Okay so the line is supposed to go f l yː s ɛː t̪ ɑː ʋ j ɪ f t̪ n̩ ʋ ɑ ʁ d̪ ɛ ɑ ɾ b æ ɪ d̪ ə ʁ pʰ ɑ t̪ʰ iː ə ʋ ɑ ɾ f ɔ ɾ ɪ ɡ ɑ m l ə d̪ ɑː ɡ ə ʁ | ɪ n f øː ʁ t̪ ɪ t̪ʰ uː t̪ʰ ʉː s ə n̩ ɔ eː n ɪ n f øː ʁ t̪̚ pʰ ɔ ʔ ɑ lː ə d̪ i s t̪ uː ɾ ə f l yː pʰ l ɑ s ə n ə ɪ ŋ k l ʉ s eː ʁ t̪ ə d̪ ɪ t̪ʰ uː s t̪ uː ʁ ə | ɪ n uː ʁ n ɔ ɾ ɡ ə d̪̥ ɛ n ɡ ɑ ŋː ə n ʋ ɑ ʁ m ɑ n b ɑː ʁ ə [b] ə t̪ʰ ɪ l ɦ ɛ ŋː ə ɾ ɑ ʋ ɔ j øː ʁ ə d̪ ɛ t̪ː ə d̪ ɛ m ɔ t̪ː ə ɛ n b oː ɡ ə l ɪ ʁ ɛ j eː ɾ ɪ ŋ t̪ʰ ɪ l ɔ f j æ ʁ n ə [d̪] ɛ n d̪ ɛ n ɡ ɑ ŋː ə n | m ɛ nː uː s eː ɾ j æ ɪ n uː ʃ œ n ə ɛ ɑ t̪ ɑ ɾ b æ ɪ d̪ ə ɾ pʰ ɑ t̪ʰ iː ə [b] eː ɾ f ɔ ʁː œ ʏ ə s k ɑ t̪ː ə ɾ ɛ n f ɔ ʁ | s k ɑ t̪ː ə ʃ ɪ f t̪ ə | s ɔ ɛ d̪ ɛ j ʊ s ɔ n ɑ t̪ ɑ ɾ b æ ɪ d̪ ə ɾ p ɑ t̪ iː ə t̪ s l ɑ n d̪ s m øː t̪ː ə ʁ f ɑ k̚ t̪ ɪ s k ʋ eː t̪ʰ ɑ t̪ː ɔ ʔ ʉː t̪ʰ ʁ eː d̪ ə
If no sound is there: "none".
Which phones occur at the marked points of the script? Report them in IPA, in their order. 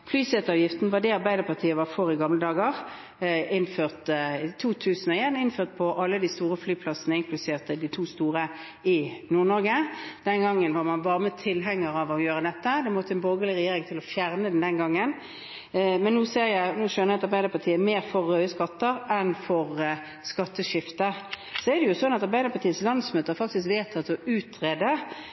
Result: m, d̪, m

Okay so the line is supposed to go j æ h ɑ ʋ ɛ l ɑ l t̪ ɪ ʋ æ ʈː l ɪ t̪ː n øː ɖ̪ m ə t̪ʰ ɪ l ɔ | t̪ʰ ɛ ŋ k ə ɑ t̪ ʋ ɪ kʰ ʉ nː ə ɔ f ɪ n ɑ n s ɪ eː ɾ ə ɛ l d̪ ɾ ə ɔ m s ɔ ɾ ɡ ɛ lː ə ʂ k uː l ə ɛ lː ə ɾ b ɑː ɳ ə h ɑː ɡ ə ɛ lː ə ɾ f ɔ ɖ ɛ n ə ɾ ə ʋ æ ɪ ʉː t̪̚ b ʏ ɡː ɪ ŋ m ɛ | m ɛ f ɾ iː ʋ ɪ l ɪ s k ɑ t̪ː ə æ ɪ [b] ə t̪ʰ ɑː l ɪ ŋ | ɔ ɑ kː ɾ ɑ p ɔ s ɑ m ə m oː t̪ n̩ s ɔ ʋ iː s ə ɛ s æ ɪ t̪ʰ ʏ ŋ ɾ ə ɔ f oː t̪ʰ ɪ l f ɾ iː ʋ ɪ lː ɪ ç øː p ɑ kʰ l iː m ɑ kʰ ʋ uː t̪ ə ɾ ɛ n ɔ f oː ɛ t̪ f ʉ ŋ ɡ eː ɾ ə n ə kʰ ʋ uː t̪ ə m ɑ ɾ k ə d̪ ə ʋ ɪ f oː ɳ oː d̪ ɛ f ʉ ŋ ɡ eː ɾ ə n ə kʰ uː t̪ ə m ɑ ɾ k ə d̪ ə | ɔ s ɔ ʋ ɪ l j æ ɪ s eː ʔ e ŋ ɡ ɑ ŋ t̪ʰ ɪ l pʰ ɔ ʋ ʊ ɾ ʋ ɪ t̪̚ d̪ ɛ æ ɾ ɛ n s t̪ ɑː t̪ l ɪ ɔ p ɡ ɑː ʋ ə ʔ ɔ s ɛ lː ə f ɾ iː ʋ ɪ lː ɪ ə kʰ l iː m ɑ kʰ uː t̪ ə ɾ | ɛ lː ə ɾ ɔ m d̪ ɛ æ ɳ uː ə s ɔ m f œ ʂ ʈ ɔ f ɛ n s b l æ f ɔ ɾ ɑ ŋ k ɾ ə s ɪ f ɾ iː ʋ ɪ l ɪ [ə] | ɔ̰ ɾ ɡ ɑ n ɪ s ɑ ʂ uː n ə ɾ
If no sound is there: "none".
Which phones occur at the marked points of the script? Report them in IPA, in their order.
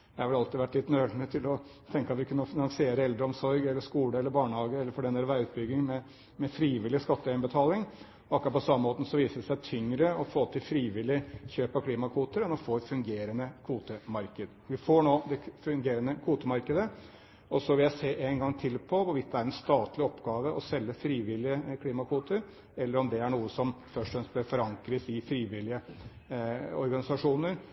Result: b, ə

